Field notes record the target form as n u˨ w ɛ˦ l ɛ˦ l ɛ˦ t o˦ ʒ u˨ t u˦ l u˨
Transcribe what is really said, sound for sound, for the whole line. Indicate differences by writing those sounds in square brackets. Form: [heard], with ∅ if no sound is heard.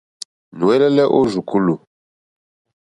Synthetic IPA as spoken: n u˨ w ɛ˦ l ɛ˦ l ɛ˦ [ʔ] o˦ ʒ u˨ [k] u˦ l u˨